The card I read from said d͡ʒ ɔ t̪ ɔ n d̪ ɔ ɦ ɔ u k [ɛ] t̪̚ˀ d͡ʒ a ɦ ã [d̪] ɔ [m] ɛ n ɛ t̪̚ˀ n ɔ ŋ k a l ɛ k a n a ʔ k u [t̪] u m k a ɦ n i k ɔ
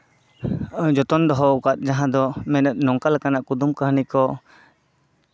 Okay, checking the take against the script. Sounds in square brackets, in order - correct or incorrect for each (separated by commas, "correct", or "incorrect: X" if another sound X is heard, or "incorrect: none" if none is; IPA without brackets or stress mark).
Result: incorrect: a, correct, correct, incorrect: d̪